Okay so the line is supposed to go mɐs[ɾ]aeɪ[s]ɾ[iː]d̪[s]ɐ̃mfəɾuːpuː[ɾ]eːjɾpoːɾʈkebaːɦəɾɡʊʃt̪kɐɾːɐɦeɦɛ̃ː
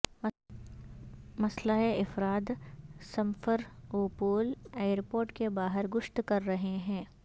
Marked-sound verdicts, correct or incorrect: incorrect, incorrect, incorrect, correct, incorrect

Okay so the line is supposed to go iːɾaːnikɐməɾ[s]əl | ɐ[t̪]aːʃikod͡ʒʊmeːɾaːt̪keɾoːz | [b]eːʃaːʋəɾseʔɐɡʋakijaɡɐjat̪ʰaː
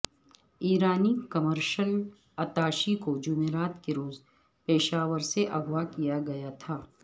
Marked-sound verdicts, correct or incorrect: incorrect, correct, incorrect

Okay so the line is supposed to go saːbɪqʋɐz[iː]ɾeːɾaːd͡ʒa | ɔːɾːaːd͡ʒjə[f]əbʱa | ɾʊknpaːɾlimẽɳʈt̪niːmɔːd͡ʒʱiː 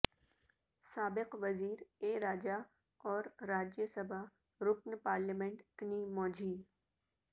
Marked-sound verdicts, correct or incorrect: correct, incorrect

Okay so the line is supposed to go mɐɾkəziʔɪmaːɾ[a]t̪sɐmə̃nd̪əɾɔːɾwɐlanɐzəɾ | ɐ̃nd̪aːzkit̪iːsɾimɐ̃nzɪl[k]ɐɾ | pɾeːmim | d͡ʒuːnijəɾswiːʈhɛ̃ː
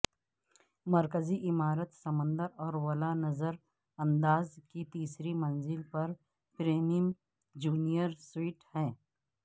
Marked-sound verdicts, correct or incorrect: incorrect, incorrect

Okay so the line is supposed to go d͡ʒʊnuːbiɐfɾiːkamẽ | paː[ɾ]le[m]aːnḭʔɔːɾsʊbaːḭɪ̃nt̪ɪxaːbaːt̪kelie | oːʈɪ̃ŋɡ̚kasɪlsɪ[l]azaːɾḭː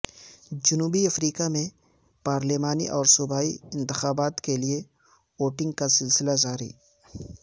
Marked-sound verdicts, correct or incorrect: correct, correct, correct

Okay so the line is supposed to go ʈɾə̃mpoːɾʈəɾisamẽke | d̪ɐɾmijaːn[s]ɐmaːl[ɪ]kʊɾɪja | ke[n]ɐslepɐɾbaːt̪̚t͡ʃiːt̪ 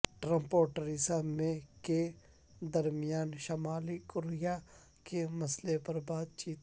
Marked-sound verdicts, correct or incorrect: incorrect, incorrect, incorrect

